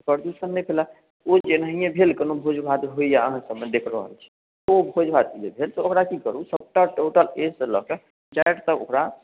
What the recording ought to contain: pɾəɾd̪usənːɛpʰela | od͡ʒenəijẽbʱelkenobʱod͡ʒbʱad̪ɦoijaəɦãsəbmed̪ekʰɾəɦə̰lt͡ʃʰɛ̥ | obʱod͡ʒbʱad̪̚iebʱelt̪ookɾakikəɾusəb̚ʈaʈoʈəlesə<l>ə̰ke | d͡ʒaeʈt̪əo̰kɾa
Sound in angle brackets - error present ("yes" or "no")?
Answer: no